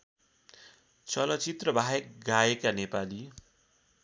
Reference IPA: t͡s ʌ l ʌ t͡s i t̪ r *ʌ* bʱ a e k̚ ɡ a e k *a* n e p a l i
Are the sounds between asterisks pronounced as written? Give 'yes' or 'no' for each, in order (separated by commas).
yes, yes